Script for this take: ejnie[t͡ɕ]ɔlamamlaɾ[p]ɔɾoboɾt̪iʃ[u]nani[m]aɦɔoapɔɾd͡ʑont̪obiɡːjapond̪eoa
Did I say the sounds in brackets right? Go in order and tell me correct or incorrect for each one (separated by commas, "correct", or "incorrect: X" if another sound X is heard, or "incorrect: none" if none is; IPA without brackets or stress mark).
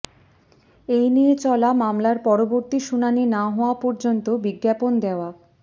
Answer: correct, correct, correct, incorrect: n